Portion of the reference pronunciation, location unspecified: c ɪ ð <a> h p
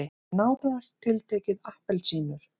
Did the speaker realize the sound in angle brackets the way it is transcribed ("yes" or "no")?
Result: yes